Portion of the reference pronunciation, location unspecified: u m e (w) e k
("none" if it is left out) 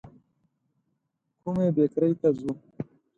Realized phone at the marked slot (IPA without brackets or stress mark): b